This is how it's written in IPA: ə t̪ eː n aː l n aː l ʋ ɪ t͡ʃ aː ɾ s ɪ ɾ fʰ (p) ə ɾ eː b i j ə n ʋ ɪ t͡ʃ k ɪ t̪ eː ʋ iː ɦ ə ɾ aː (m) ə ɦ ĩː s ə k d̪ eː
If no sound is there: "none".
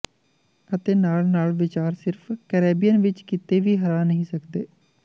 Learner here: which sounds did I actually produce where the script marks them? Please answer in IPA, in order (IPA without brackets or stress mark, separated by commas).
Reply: k, n